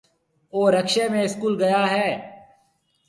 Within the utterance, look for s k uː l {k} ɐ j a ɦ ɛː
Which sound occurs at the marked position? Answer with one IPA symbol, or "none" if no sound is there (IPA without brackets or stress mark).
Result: ɡ